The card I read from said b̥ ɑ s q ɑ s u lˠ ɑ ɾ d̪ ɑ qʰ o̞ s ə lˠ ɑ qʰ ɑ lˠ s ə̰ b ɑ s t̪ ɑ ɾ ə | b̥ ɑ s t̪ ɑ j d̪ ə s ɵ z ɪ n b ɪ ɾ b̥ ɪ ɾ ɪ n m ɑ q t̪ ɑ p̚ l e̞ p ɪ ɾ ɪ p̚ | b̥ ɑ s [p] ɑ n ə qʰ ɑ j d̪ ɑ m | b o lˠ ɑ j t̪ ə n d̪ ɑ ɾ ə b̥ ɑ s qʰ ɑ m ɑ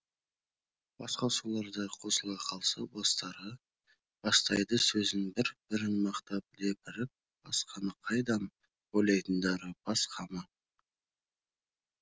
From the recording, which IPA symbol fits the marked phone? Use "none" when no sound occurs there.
q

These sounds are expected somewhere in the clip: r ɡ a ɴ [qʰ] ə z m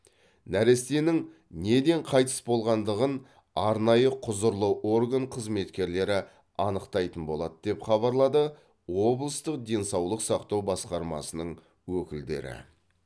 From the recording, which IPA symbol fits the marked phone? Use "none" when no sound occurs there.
qʰ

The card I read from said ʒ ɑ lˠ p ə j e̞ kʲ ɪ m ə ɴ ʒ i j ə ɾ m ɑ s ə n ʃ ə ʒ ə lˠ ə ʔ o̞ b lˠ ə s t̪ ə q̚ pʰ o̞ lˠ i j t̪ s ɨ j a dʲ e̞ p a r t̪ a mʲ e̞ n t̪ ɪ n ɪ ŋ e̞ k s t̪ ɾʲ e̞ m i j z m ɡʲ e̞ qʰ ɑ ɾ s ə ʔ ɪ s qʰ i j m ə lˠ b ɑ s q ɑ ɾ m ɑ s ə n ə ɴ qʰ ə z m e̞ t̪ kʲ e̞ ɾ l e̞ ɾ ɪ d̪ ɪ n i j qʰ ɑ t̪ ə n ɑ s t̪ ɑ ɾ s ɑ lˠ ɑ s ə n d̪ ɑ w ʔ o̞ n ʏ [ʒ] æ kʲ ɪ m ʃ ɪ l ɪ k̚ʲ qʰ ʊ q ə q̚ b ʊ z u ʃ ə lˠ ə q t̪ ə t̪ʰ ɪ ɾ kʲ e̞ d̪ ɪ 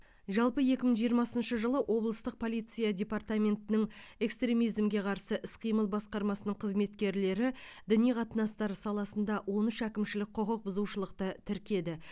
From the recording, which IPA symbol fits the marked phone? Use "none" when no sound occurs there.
ʃ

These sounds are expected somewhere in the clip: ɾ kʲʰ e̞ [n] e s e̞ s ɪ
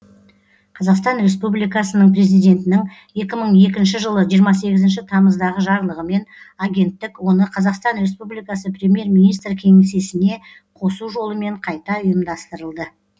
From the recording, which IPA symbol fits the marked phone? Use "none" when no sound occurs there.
ŋ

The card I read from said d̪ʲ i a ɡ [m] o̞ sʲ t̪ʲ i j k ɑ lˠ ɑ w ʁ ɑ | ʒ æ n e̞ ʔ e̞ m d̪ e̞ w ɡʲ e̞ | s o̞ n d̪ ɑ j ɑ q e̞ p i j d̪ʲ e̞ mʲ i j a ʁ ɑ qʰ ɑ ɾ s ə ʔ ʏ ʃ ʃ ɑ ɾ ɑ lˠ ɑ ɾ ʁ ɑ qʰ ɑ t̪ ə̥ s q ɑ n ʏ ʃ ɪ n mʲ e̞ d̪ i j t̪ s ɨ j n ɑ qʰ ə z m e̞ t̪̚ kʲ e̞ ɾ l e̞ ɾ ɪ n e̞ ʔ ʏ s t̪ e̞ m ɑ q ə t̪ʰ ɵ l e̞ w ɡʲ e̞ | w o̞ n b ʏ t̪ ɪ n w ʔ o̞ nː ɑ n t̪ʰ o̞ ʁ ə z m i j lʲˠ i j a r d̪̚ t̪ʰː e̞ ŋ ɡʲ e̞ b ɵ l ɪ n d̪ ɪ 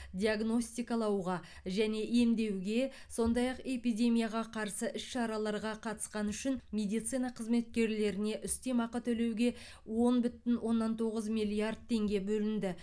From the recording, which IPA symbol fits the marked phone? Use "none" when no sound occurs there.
n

